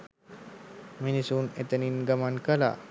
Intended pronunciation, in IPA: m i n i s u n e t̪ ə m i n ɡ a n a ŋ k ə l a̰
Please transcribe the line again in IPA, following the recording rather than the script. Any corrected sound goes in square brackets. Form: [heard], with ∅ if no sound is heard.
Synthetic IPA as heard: m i n i s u n e t̪ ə [n] i n ɡ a [m] a [n] k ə l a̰